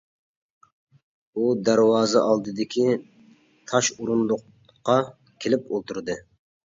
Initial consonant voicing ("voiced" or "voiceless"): voiced